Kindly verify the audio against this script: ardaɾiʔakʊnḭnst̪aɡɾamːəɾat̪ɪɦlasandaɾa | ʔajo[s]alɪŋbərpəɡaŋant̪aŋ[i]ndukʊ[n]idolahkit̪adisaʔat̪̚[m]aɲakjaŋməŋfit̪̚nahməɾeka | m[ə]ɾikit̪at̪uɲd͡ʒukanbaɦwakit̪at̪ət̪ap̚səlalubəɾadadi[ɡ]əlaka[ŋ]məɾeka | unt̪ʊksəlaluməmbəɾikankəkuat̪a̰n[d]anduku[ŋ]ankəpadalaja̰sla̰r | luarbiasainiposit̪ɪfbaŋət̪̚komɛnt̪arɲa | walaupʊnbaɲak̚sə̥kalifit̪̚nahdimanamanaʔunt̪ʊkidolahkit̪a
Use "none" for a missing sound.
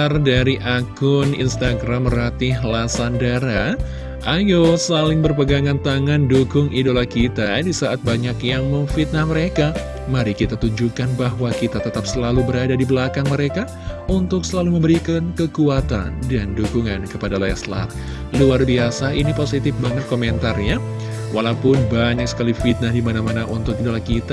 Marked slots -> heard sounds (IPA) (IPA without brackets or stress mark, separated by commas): s, a, ŋ, b, a, b, ŋ, d, ŋ